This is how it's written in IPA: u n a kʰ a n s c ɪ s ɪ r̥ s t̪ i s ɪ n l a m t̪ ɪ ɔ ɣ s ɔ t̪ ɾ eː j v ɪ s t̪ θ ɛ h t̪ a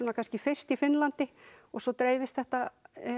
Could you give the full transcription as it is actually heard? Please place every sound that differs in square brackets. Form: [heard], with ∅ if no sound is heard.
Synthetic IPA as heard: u n a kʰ a n s c ɪ [f] ɪ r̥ s t̪ i [f] ɪ n l a [n] t̪ ɪ ɔ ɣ s ɔ t̪ ɾ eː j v ɪ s t̪ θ ɛ h t̪ a